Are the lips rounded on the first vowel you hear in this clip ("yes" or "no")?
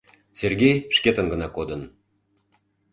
no